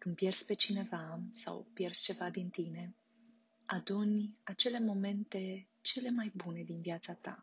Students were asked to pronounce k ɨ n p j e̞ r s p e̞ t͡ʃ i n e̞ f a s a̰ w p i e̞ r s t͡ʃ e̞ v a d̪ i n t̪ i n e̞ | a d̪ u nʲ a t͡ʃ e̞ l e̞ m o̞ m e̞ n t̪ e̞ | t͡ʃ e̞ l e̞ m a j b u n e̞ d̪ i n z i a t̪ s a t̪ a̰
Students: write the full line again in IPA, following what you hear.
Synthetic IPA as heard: k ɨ n p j e̞ r s p e̞ t͡ʃ i n e̞ v a s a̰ w p j e̞ r s t͡ʃ e̞ v a d̪ i n t̪ i n e̞ | a d̪ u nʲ a t͡ʃ e̞ l e̞ m o̞ m e̞ n t̪ e̞ | t͡ʃ e̞ l e̞ m a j b u n e̞ d̪ i n v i a t̪ s a t̪ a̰